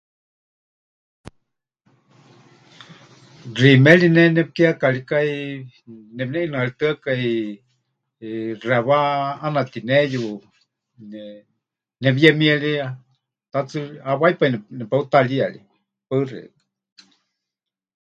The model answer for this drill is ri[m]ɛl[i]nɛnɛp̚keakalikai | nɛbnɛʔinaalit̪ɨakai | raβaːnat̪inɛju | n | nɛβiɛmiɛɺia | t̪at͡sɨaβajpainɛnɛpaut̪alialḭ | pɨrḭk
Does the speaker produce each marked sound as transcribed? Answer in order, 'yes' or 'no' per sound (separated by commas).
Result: yes, yes